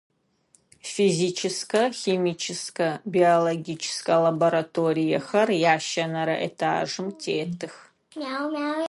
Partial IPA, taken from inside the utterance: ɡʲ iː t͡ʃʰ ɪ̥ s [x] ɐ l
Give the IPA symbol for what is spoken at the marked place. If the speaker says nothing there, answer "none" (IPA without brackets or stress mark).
k